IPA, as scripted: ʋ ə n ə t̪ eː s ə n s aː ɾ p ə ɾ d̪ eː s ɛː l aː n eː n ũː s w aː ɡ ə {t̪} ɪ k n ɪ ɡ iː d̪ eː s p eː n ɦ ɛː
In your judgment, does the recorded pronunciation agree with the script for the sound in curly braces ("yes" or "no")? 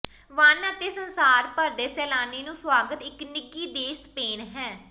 yes